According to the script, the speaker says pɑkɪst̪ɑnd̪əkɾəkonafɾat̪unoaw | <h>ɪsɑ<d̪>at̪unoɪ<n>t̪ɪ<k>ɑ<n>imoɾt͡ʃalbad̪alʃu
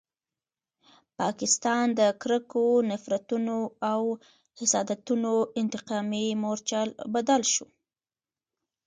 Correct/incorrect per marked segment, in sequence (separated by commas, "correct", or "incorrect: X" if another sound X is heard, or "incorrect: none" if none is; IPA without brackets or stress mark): correct, correct, correct, incorrect: q, incorrect: m